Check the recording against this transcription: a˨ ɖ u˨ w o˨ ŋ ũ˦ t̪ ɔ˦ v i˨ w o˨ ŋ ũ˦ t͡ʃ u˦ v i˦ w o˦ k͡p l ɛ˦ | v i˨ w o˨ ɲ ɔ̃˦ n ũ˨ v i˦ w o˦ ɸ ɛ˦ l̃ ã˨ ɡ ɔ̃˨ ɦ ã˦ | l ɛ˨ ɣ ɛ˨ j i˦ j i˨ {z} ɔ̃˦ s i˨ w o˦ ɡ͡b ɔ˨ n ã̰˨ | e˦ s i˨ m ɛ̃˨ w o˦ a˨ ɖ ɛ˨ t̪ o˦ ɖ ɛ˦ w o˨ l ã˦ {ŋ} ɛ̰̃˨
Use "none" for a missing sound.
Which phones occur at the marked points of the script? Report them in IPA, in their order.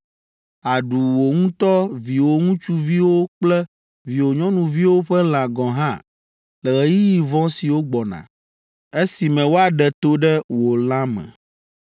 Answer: v, m

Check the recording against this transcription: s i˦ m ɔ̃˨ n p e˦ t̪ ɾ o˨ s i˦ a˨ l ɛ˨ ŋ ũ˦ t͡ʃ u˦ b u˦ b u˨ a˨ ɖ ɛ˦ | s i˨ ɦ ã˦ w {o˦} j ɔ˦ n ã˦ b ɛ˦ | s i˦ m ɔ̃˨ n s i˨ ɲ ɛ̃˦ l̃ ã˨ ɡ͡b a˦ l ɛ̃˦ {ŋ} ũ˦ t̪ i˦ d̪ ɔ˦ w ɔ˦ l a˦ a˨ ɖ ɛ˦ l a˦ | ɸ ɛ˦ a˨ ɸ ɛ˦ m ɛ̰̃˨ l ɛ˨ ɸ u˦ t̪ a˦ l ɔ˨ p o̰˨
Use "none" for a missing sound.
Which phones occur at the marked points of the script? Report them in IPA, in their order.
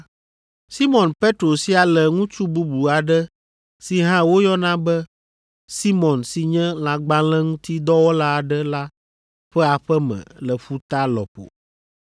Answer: o˦, ŋ

